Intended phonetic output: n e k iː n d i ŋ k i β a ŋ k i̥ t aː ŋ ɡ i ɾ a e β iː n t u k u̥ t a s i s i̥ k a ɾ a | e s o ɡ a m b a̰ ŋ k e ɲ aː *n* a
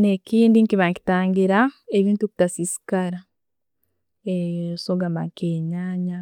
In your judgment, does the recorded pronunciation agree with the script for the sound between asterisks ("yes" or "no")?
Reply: no